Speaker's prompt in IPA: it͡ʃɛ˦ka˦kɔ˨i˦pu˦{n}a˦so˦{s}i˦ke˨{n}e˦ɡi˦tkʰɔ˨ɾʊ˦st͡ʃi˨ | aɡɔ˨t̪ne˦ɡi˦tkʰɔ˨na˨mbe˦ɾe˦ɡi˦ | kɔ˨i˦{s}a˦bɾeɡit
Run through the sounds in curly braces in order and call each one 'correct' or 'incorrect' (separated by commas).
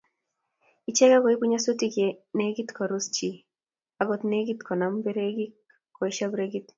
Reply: incorrect, incorrect, correct, incorrect